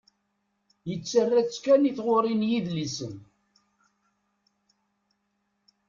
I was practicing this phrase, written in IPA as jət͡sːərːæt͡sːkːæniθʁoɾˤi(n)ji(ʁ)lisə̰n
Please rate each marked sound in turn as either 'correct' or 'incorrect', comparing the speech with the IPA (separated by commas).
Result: correct, incorrect